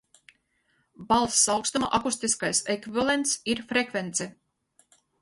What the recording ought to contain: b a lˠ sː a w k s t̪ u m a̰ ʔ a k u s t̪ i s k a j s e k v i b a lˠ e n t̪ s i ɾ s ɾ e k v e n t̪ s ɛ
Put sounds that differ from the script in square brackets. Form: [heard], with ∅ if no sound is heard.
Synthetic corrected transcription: b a lˠ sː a w k s t̪ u m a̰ ʔ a k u s t̪ i s k a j s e k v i [v] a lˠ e n t̪ s i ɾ [f] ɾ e k v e n t̪ s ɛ